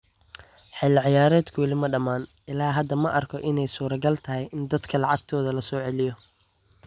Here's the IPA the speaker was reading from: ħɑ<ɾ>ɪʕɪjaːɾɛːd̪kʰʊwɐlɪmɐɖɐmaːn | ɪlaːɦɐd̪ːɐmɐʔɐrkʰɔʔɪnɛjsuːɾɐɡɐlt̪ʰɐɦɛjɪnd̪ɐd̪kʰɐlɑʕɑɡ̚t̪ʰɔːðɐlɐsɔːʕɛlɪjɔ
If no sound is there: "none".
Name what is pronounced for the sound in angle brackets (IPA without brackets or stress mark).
l